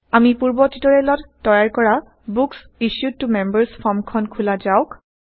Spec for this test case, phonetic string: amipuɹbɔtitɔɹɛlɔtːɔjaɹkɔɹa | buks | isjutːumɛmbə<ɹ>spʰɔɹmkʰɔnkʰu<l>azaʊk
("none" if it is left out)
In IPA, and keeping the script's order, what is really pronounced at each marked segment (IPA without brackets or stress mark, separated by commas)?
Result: ɹ, l